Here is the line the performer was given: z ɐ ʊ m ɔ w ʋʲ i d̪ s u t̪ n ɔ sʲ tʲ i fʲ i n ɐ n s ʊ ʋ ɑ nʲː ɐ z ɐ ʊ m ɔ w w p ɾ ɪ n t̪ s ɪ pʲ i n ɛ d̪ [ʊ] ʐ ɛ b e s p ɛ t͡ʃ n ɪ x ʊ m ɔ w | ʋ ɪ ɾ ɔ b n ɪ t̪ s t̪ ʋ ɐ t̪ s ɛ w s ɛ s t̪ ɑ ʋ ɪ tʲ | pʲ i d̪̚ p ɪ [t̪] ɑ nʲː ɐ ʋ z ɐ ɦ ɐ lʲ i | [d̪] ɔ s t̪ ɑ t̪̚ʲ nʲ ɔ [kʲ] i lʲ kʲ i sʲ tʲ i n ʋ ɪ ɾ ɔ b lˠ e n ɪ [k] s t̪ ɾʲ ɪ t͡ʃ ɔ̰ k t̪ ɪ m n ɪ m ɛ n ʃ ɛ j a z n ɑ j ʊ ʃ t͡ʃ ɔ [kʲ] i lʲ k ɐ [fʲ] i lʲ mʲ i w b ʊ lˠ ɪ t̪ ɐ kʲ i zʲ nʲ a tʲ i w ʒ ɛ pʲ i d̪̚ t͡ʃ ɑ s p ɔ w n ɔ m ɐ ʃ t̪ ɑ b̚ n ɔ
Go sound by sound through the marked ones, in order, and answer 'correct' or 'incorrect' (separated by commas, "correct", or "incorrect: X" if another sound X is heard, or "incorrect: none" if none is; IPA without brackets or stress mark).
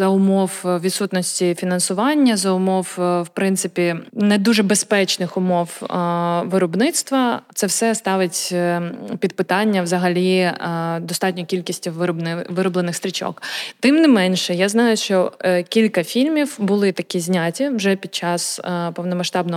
incorrect: u, correct, correct, correct, incorrect: x, correct, correct